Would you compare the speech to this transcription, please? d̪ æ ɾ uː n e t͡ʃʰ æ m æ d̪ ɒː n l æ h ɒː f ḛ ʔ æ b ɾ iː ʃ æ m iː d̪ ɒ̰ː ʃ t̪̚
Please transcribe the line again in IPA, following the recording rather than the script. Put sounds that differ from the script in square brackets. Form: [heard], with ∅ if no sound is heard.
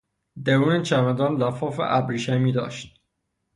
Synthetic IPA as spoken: d̪ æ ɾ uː n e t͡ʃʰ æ m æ d̪ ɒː n l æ [f] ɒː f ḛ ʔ æ b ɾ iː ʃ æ m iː d̪ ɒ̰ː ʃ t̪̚